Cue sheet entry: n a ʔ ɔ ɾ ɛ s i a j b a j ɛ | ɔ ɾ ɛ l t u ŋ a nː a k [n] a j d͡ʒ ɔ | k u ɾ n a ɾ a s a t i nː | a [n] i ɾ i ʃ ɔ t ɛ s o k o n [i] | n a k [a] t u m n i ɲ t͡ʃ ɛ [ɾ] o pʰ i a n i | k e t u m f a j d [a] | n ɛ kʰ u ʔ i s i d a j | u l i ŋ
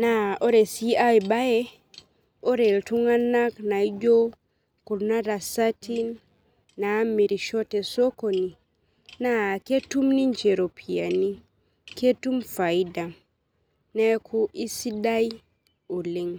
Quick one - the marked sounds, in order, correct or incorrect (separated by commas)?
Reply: correct, incorrect, correct, incorrect, correct, correct